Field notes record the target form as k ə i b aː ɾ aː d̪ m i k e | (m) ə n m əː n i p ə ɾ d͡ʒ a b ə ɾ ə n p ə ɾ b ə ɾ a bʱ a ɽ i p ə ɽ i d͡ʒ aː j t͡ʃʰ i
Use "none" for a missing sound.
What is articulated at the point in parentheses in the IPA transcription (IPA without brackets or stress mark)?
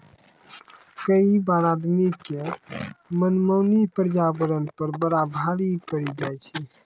m